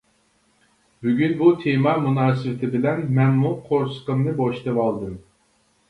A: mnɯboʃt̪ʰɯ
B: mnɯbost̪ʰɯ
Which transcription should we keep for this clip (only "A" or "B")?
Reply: A